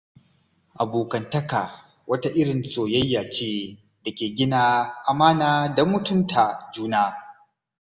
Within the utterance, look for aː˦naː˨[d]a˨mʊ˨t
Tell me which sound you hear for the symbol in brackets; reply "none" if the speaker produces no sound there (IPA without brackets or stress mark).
d